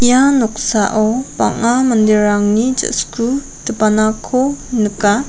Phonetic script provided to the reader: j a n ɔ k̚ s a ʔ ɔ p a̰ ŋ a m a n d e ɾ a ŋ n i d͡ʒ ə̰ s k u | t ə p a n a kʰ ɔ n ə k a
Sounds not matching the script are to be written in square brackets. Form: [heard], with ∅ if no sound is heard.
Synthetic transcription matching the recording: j a n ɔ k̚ s a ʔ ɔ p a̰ ŋ a m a n d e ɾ a ŋ n i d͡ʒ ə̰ s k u | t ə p a n a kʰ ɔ n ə k a